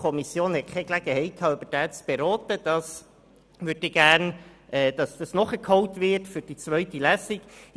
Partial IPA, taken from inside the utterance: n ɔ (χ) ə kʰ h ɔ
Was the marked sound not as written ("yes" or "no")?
no